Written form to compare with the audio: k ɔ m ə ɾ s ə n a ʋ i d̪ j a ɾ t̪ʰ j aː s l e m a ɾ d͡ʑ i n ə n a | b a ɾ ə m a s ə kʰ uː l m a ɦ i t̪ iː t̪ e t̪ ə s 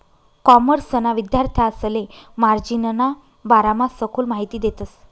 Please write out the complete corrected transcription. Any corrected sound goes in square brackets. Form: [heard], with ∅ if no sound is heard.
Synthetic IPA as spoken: k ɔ m ə ɾ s ə n a ʋ i d̪ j a ɾ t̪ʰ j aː s l e m a ɾ d͡ʑ i n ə n a | b a ɾ [a] m a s ə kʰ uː l m a ɦ i t̪ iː [d̪] e t̪ ə s